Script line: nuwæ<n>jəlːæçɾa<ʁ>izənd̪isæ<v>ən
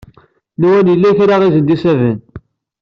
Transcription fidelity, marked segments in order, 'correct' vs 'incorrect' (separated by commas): correct, correct, correct